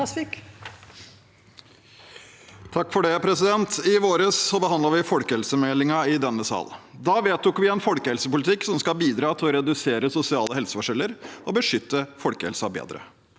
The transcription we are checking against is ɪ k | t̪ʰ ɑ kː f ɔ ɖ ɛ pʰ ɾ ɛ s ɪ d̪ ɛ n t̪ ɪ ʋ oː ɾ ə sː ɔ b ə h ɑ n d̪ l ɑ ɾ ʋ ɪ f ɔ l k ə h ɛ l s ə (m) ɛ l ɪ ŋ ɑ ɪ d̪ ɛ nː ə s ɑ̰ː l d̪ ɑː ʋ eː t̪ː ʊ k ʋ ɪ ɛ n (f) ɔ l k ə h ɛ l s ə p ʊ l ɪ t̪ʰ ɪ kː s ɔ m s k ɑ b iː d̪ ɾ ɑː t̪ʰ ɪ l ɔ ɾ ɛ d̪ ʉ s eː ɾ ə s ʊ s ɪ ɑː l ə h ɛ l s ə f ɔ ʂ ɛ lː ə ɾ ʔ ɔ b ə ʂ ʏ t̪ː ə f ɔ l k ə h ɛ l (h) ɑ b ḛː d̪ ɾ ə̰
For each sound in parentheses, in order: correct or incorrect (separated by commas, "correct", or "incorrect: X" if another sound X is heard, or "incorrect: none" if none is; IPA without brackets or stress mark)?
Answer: correct, correct, incorrect: s